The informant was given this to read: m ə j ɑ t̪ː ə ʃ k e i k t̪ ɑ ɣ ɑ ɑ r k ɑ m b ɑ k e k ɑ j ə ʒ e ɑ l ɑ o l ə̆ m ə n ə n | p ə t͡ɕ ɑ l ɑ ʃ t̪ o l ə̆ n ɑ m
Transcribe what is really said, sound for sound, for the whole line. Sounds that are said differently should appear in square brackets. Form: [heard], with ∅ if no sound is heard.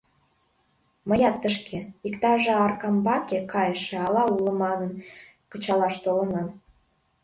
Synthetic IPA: m ə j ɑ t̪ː ə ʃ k e i k t̪ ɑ [ʒ] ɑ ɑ r k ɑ m b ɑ k e k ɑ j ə [ʃ] e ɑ l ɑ [u] l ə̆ m [ɑ] n ə n | [k] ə t͡ɕ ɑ l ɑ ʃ t̪ o l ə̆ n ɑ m